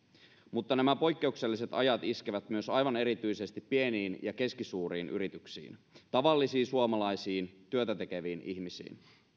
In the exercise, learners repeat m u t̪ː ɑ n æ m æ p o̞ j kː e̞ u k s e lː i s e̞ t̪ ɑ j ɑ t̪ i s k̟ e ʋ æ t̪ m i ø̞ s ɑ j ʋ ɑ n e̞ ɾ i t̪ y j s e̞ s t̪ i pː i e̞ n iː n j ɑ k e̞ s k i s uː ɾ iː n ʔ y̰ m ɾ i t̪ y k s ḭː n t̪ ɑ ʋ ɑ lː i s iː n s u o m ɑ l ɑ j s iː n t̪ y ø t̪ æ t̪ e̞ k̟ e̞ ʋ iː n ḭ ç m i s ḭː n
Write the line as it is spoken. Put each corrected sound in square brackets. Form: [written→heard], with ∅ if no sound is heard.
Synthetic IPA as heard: m u t̪ː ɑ n æ m æ p o̞ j kː e̞ u k s e lː i s e̞ t̪ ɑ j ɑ t̪ i s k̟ e ʋ æ t̪ m [i→y] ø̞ s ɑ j ʋ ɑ n e̞ ɾ i t̪ y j s e̞ s t̪ i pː i e̞ n iː n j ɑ k e̞ s k i s uː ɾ iː n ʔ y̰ [m→∅] ɾ i t̪ y k s ḭː n t̪ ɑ ʋ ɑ lː i s iː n s u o m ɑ l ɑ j s iː n t̪ y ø t̪ æ t̪ e̞ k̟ e̞ ʋ iː n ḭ ç m i s ḭː n

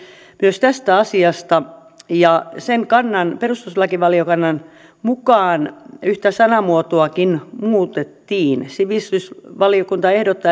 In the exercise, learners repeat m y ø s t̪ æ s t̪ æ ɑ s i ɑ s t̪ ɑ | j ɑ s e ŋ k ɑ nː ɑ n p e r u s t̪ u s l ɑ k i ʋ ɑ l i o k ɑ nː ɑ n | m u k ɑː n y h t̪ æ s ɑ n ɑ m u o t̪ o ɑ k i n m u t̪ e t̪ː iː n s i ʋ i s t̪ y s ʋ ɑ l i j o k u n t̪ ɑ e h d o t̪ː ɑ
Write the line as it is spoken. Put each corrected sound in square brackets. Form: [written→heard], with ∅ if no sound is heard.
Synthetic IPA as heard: m y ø s t̪ æ s t̪ æ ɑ s i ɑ s t̪ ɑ | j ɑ s e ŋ k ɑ nː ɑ n p e r u s t̪ u s l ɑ k i ʋ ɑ l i o k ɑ nː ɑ n | m u k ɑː n y h t̪ æ s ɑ n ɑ m u o t̪ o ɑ k i n m [u→uː] t̪ e t̪ː iː n s i ʋ i s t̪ y s ʋ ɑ l i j o k u n t̪ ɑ e h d o t̪ː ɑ

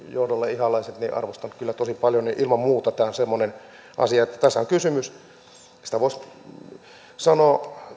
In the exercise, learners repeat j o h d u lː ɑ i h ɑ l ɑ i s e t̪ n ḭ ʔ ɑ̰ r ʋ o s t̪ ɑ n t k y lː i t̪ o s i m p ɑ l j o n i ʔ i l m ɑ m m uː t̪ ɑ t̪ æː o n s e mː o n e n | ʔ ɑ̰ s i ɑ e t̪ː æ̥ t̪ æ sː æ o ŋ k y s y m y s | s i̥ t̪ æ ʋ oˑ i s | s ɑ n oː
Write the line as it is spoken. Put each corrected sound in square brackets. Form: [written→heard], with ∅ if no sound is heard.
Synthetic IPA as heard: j o h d [u→o] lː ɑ i h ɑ l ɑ i s e t̪ n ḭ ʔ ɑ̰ r ʋ o s t̪ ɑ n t k y lː [i→æ] t̪ o s i [m→∅] p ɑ l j o n i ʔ i l m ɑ m m uː t̪ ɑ t̪ æː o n s e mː o n e n | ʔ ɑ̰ s i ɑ e t̪ː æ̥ t̪ æ sː æ o ŋ k y s y m y s | s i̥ t̪ æ ʋ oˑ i s | s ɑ n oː

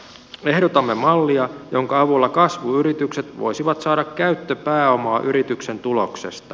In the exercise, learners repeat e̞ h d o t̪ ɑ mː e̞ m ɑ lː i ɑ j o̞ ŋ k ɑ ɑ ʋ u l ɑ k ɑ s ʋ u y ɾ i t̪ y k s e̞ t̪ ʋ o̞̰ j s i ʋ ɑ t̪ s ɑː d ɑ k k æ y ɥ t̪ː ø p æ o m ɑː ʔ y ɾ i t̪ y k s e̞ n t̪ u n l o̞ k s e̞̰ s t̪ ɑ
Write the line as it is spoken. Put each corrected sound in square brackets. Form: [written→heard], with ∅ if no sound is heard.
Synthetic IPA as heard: e̞ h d o t̪ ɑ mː e̞ m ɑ lː i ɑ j o̞ ŋ k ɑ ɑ ʋ u [l→lː] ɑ k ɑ s ʋ u y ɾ i t̪ y k s e̞ t̪ ʋ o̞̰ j s i ʋ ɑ t̪ s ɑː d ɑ k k æ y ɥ t̪ː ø p [æ→æː] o m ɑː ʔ y ɾ i t̪ y k s e̞ n t̪ u [n→∅] l o̞ k s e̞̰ s t̪ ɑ

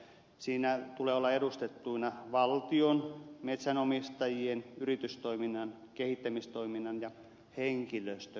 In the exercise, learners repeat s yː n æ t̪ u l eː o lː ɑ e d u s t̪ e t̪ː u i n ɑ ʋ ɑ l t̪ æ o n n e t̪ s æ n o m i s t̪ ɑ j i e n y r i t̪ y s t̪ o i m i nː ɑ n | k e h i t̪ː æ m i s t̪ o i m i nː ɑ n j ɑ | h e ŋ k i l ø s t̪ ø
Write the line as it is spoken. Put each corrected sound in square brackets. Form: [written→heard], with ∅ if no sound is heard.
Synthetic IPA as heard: s [yː→iː] n æ t̪ u l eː o lː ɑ e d u s t̪ e t̪ː u i n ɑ ʋ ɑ l t̪ [æ→i] o n [n→m] e t̪ s æ n o m i s t̪ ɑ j i e n y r i t̪ y s t̪ o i m i nː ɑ n | k e h i t̪ː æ m i s t̪ o i m i nː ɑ n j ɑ | h e ŋ k i l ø s t̪ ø

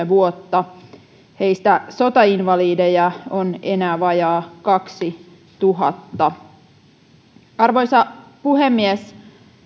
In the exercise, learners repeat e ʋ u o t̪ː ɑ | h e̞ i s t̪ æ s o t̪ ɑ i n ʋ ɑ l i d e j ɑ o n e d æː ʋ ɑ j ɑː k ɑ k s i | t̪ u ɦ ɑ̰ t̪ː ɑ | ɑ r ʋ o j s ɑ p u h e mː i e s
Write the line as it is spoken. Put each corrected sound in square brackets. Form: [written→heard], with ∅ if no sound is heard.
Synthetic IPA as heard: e ʋ u o t̪ː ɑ | h e̞ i s t̪ æ s o t̪ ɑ i n ʋ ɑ l [i→iː] d e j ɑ o n e [d→n] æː ʋ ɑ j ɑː k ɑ k s i | t̪ u ɦ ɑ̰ t̪ː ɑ | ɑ r ʋ o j s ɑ p u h e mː i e s

